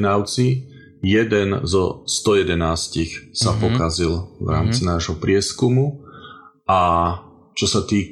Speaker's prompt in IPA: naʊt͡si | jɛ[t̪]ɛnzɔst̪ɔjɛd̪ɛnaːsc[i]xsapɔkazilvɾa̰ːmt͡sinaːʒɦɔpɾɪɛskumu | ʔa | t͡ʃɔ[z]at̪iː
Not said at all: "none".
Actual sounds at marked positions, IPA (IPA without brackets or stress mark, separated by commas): d̪, i, s